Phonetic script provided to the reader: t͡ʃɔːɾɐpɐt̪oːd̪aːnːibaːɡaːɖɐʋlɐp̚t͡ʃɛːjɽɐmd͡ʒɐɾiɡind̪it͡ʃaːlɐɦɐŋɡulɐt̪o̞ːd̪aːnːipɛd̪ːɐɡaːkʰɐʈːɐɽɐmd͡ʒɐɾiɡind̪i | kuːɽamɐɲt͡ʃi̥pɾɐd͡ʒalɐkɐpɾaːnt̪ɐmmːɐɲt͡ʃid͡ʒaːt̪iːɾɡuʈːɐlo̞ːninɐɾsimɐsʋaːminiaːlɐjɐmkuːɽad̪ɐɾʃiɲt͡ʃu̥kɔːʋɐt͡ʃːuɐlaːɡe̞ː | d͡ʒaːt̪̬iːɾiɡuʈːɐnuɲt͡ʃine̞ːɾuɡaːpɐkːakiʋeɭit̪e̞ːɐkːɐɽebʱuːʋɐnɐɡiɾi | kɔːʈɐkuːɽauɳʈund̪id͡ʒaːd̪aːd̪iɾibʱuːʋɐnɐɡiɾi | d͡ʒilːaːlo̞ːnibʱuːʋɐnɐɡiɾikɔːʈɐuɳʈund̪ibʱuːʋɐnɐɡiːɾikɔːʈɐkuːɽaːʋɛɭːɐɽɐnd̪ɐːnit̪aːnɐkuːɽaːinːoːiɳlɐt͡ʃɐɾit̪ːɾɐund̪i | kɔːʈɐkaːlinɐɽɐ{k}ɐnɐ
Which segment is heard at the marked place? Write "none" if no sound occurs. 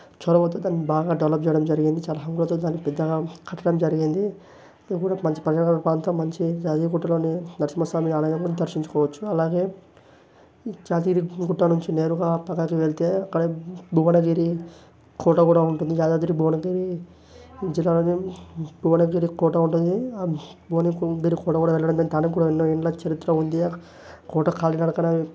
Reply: k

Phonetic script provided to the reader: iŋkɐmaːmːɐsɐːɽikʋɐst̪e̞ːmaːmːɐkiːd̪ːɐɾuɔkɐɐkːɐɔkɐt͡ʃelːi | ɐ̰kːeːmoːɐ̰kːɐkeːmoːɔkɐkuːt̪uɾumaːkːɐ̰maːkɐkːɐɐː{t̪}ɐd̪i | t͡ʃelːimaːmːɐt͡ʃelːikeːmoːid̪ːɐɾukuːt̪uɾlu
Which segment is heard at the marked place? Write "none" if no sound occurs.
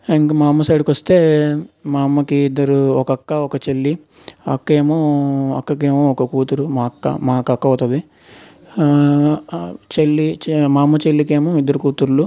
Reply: t̪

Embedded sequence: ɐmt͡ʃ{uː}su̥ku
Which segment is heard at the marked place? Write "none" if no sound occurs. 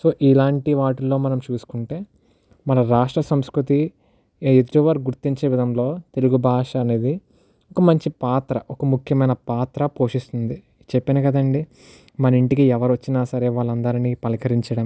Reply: uː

